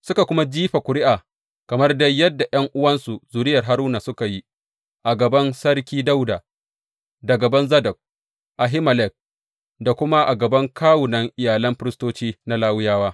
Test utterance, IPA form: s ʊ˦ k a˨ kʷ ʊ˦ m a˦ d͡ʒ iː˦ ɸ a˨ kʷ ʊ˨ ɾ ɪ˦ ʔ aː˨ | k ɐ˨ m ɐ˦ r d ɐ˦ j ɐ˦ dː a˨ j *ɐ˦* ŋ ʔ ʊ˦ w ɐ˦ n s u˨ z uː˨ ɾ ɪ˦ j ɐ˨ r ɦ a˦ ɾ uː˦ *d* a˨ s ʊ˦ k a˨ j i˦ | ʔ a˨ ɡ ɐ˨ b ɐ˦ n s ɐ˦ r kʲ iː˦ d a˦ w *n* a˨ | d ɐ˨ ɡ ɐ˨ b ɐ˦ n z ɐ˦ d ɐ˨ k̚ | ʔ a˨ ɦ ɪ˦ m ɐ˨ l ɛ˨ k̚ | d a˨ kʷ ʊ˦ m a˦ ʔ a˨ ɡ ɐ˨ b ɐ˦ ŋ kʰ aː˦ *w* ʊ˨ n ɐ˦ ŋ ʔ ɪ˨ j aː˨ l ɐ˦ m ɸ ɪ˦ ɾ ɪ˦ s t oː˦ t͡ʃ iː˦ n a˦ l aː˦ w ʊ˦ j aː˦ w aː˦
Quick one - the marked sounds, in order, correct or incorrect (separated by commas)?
correct, incorrect, incorrect, correct